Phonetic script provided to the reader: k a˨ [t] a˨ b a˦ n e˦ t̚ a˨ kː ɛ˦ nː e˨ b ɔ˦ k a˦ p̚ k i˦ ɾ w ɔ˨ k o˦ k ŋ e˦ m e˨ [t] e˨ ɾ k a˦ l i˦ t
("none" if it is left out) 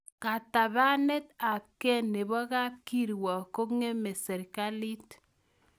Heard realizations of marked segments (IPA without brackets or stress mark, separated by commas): t, s